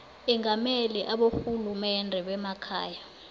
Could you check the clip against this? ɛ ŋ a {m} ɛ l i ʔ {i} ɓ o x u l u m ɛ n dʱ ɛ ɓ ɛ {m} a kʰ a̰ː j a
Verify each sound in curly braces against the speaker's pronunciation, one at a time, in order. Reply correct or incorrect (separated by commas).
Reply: correct, incorrect, correct